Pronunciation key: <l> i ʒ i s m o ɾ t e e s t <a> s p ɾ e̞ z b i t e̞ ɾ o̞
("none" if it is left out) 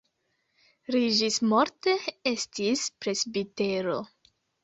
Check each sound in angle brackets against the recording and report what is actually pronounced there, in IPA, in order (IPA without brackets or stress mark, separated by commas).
ɾ, i